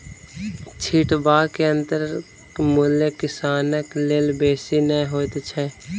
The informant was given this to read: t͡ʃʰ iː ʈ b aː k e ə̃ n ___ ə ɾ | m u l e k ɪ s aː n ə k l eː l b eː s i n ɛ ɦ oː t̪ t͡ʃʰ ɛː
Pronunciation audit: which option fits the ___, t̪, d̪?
t̪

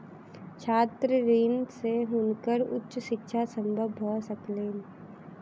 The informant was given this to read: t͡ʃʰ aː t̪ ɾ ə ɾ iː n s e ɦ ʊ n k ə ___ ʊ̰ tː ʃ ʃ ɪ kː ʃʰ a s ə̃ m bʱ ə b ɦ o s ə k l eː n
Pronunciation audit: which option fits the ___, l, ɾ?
ɾ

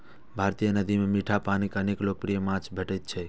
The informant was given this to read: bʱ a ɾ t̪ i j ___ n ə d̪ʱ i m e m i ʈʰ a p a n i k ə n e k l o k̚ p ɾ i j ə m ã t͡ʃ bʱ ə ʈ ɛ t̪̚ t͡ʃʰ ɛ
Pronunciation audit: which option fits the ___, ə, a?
ə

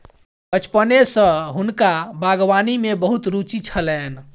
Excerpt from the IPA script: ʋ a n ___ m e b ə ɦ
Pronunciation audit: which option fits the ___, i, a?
i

